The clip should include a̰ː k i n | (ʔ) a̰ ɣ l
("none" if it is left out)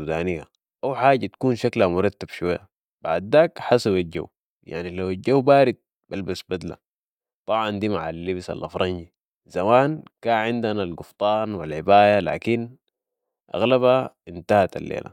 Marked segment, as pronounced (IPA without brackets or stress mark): ʔ